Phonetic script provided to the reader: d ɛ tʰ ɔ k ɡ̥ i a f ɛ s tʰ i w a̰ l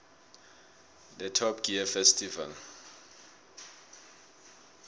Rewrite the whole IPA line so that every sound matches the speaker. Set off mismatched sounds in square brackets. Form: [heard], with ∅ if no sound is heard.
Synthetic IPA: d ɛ tʰ ɔ [p] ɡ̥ i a f ɛ s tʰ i [v] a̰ l